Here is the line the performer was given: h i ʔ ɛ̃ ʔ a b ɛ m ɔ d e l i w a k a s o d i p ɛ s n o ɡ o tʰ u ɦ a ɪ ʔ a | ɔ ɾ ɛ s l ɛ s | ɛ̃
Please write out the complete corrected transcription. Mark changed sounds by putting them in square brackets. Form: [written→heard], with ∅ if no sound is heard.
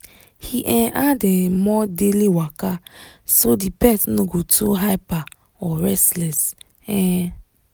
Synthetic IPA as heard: h i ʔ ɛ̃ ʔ a [b→d] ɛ m ɔ d e l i w a k a s o d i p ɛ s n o ɡ o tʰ u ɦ a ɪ [ʔ→p] a | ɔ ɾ ɛ s l ɛ s | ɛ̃

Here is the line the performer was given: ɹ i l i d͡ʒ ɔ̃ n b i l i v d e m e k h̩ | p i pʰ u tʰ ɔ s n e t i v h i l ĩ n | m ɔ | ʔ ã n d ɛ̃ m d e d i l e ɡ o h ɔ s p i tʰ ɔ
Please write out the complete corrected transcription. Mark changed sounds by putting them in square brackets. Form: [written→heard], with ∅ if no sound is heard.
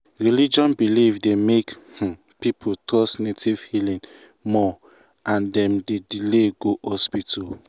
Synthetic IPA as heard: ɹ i l i d͡ʒ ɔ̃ n b i l i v d e m e k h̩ | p i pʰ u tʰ ɔ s n e t i v h i l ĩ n | m ɔ | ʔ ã n d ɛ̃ m d e d i l e ɡ o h ɔ s p i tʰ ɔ

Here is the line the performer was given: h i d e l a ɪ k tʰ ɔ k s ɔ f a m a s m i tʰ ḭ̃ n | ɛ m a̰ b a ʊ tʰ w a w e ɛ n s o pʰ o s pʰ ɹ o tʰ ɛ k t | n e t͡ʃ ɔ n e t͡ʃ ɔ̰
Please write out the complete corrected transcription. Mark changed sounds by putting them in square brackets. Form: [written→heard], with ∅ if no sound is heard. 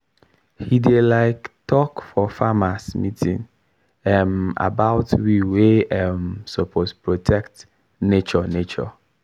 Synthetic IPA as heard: h i d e l a ɪ k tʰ ɔ k [s→f] ɔ f a m a s m i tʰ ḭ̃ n | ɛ m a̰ b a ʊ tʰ w [a→i] w e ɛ [n→m] s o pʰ o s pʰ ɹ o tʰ ɛ k t | n e t͡ʃ ɔ n e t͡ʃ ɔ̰

